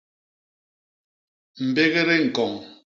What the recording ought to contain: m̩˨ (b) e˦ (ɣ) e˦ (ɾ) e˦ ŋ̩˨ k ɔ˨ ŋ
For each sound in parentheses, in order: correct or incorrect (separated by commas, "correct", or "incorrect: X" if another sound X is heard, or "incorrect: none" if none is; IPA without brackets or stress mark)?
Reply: correct, correct, correct